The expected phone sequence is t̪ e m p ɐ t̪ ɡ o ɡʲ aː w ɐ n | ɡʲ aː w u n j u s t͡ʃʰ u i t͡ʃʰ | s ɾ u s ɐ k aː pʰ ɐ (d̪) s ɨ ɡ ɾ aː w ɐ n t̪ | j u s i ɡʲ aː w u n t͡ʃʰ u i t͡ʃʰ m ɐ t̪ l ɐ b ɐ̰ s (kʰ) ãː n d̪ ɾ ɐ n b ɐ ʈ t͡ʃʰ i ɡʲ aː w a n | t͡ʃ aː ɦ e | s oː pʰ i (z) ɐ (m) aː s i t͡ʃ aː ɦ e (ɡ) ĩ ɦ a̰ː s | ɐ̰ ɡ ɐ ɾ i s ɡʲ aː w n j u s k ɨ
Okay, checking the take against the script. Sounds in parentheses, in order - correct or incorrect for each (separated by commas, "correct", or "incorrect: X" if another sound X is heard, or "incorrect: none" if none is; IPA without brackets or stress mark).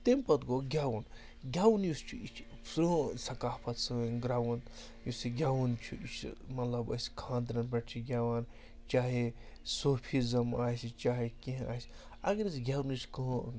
incorrect: t̪, correct, correct, correct, incorrect: k